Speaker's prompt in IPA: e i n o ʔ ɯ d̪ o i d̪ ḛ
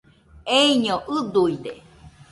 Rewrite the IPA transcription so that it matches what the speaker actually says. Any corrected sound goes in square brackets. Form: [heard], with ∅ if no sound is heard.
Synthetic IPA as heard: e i [ɲ] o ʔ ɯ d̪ [u] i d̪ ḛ